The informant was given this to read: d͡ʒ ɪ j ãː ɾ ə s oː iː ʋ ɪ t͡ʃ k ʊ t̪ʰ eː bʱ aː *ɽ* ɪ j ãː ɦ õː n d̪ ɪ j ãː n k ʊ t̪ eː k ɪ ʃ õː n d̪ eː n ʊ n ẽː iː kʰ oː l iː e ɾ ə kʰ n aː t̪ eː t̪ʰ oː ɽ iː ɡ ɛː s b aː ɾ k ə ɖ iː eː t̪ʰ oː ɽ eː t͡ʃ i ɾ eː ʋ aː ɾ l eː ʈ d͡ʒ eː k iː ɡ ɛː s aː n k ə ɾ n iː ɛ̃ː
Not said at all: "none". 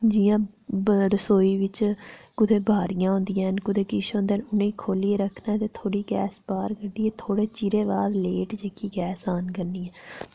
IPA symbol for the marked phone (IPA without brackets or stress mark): ɾ